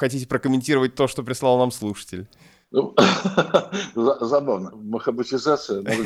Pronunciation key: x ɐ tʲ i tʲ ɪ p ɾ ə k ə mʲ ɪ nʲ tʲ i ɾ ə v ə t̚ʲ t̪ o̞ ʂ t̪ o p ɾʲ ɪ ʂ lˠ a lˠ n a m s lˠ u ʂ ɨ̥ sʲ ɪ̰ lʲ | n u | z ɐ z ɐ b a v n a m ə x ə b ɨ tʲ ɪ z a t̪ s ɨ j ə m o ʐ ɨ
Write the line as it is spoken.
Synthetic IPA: x ɐ tʲ i tʲ ɪ p ɾ ə k ə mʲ ɪ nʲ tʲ i ɾ ə v ə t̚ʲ t̪ o̞ ʂ t̪ o p ɾʲ ɪ s lˠ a lˠ n a m s lˠ u ʂ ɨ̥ tʲ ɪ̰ lʲ | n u | z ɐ z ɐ b a v n ə m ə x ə b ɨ tʲ ɪ z a t̪ s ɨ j ə m o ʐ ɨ